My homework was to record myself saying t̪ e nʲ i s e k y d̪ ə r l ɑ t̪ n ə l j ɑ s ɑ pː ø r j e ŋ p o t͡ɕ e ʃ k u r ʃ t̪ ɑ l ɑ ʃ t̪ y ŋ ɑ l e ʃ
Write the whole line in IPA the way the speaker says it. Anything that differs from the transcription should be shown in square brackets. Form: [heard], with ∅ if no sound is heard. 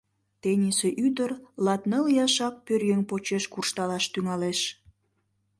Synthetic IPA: t̪ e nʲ i s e [ʔ] y d̪ ə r l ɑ t̪ n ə l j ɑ [ʃ] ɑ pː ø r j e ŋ p o t͡ɕ e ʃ k u r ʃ t̪ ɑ l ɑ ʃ t̪ y ŋ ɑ l e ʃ